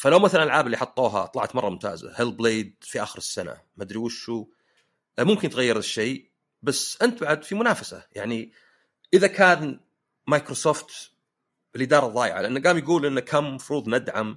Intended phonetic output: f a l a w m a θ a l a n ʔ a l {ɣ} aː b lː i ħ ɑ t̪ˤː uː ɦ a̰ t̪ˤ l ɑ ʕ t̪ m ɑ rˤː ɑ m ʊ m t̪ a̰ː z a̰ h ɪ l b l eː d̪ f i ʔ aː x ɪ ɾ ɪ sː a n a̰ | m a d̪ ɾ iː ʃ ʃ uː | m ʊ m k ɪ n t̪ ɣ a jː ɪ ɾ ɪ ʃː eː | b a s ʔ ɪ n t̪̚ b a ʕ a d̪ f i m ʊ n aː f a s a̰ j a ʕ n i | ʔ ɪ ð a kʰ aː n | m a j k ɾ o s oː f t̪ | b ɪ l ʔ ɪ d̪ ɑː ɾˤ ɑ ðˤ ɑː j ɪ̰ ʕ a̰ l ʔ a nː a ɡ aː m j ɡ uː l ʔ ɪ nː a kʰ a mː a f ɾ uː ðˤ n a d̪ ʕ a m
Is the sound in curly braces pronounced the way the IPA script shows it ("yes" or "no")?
no